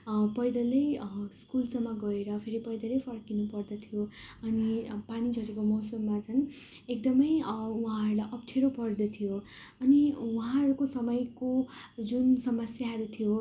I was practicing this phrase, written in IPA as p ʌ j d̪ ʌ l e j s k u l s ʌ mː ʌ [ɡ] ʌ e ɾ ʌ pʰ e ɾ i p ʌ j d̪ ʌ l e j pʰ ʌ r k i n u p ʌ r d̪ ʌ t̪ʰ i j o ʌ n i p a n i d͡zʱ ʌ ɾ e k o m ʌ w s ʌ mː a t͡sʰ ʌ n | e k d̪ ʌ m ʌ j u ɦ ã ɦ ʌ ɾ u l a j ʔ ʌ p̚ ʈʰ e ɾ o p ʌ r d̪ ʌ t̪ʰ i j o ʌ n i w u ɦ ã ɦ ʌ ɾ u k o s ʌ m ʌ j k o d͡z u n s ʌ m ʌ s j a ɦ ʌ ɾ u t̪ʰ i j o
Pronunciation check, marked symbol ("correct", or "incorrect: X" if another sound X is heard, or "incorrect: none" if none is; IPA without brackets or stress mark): correct